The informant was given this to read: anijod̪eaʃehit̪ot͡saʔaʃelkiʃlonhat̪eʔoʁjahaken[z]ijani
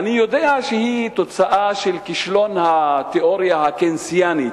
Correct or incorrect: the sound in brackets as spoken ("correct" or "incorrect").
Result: incorrect